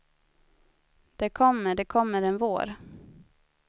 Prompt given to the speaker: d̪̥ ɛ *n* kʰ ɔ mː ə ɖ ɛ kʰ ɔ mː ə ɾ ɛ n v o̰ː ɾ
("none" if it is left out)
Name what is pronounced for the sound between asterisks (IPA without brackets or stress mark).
none